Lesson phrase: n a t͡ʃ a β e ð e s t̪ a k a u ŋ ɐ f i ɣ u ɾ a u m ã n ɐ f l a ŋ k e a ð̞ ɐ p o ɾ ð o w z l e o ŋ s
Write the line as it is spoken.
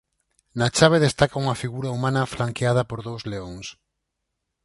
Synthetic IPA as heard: n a t͡ʃ a β e ð e s t̪ a k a u ŋ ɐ f i ɣ u ɾ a u m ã n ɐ f l a ŋ k e a ð̞ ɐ p o ɾ ð o w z l e o ŋ s